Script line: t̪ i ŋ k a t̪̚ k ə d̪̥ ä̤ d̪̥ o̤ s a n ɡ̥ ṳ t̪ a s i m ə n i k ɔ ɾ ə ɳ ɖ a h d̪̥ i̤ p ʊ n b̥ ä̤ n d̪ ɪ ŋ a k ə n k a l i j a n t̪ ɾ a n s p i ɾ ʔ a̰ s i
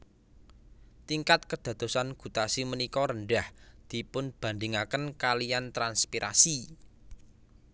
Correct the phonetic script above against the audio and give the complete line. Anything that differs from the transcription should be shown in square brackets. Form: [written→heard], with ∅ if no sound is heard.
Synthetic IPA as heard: t̪ i ŋ k a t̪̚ k ə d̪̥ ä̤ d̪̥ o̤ s a n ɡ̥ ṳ t̪ a s i m ə n i k ɔ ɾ ə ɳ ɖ a h d̪̥ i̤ p ʊ n b̥ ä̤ n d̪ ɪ ŋ a k ə n k a l i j a n t̪ ɾ a n s p i ɾ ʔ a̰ s i